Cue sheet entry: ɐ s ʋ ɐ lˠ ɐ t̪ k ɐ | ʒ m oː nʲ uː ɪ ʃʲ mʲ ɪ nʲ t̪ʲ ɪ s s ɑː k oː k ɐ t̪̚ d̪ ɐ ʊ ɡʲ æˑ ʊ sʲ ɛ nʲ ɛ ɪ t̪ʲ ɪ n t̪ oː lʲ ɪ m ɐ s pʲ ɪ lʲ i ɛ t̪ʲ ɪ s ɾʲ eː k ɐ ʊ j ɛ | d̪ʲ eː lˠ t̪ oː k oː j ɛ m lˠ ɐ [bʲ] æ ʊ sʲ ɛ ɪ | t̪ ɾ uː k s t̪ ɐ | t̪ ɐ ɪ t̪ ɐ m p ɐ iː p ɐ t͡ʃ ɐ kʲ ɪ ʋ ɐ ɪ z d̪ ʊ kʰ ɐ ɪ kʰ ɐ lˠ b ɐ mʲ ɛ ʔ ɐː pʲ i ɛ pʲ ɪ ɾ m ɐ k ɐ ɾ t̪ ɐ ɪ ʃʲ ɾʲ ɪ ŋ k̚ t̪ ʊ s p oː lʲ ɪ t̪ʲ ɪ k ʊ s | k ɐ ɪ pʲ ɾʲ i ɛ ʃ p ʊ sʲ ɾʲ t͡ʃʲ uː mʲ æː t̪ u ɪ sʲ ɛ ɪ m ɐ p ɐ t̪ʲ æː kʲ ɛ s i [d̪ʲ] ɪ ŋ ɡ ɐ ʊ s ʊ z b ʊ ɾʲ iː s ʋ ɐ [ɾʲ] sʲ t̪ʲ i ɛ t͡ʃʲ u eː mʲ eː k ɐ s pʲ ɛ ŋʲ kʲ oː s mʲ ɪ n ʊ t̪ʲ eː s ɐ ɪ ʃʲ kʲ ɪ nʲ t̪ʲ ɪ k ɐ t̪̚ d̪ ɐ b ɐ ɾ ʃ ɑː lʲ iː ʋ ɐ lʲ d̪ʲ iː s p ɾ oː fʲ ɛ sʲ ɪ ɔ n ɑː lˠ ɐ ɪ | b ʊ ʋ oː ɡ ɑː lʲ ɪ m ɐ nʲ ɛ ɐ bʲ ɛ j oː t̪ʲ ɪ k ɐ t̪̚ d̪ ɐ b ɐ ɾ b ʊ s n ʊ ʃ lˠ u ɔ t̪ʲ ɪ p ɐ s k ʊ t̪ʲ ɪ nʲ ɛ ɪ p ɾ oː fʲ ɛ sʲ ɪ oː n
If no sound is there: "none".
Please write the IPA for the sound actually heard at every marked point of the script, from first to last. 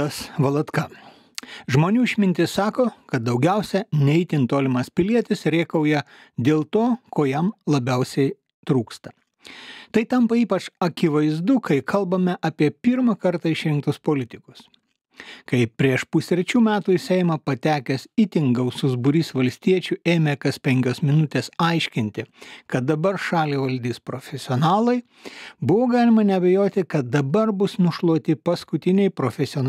bʲ, t̪ʲ, lʲ

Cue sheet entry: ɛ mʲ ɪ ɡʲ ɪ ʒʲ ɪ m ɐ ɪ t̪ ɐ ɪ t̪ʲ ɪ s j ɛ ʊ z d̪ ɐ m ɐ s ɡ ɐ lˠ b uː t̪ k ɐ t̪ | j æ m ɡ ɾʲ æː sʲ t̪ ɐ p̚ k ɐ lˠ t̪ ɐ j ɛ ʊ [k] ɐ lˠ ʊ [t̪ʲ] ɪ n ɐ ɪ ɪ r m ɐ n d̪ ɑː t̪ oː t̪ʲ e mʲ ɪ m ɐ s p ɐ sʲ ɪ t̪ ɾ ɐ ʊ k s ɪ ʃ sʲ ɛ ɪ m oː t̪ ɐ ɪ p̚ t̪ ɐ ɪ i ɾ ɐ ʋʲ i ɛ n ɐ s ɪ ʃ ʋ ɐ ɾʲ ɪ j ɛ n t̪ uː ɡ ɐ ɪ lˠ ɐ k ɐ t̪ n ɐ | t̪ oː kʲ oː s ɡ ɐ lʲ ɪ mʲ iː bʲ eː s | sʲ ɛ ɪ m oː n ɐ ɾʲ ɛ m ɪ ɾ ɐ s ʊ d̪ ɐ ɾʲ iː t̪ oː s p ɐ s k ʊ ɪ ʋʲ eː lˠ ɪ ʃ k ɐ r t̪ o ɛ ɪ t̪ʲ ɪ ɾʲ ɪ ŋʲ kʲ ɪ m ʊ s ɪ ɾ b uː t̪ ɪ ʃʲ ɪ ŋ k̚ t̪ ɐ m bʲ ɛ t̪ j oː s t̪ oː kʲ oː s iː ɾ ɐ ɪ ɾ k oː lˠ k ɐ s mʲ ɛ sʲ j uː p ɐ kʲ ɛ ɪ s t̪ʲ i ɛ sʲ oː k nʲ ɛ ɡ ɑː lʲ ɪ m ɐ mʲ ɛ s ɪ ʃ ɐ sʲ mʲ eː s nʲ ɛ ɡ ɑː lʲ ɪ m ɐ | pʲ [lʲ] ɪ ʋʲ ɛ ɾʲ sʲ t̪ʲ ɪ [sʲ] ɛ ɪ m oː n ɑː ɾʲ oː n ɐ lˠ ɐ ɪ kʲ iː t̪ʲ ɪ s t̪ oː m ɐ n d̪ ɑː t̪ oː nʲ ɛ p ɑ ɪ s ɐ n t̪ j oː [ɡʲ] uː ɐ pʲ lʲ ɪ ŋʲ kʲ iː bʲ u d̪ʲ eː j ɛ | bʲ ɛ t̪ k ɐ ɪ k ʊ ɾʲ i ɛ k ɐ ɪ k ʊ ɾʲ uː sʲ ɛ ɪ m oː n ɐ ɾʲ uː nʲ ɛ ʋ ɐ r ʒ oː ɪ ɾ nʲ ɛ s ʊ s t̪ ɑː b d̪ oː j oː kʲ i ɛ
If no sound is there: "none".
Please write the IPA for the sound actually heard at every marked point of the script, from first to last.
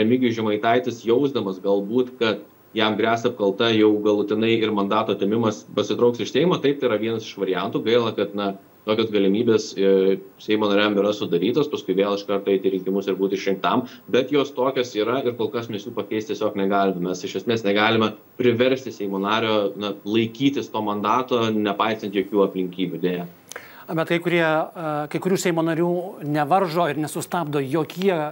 ɡ, t̪ʲ, ɾʲ, sʲ, kʲ

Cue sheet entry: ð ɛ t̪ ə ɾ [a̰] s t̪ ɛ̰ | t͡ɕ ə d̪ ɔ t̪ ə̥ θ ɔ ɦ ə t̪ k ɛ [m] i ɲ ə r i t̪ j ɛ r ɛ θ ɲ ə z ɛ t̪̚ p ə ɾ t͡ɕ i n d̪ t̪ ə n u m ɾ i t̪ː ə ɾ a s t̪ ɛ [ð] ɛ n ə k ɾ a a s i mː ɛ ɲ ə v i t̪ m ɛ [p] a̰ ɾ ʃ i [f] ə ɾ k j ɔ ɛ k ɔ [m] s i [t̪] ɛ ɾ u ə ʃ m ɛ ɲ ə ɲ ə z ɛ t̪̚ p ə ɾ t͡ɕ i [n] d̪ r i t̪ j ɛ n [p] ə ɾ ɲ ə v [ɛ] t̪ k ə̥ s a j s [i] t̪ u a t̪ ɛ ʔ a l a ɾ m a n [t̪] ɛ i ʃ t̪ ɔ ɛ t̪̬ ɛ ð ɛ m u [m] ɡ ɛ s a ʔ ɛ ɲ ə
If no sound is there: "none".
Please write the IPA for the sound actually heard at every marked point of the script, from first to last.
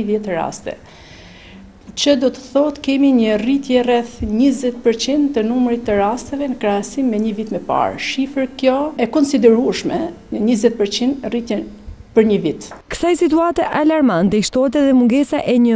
a̰, m, v, p, f, n, d̪, n, p, i, i, t̪, ŋ

